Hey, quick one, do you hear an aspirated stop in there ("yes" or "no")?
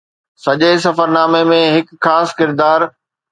no